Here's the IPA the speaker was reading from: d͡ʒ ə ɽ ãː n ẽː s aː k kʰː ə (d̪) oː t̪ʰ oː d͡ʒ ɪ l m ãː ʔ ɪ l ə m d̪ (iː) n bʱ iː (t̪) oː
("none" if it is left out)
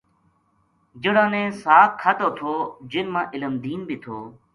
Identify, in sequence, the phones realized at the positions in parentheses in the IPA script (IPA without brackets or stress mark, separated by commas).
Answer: t̪, iː, t̪ʰ